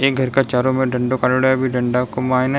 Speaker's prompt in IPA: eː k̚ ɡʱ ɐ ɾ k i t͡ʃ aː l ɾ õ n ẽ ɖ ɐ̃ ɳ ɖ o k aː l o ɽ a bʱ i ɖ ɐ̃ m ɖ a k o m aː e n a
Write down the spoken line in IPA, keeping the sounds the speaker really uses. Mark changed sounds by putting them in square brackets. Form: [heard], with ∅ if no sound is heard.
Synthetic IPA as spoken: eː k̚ ɡʱ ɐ ɾ k [a] t͡ʃ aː [∅] ɾ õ [m] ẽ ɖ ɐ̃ ɳ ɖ o k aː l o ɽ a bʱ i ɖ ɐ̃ [ɳ] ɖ a k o m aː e n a